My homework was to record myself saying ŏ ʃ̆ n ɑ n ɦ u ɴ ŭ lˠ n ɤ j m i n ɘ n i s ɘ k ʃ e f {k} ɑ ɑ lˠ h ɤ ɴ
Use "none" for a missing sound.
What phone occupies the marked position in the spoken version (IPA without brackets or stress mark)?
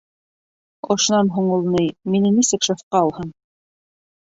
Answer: q